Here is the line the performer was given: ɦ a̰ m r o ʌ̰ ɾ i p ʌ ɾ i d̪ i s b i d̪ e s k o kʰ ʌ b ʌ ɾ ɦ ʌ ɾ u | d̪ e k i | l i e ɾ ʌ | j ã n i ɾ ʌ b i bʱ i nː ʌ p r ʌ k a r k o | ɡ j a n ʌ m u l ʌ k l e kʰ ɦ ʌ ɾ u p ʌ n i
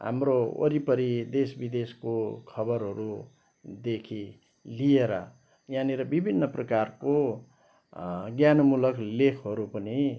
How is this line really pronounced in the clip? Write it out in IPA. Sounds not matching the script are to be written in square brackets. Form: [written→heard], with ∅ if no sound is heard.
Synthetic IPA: ɦ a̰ m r o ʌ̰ ɾ i p ʌ ɾ i d̪ [i→e] s b i d̪ e s k o kʰ ʌ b ʌ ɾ ɦ ʌ ɾ u | d̪ e [k→kʰ] i | l i e ɾ ʌ | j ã n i ɾ ʌ b i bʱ i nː ʌ p r ʌ k a r k o | ɡ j a n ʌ m u l ʌ k l e kʰ ɦ ʌ ɾ u p ʌ n i